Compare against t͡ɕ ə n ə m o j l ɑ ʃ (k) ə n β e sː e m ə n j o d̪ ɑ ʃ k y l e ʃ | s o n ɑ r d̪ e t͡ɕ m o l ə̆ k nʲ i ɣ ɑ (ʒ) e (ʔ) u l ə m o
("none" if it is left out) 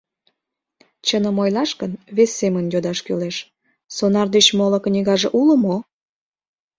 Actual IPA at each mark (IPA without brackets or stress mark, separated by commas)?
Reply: k, ʒ, ʔ